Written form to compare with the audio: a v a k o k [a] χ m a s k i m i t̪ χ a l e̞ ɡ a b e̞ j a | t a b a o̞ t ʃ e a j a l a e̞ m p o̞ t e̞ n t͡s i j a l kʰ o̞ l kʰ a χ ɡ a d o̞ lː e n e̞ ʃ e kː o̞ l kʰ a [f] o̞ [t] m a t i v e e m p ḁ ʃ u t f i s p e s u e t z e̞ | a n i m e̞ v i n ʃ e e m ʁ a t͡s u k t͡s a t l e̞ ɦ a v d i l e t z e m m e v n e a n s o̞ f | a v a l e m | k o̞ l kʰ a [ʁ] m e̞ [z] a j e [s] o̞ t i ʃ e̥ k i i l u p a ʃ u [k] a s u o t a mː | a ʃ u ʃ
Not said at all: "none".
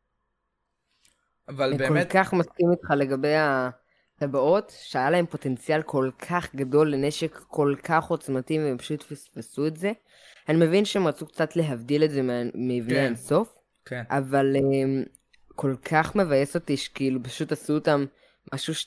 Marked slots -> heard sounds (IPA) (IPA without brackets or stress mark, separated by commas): a, χ, t͡s, χ, v, s, t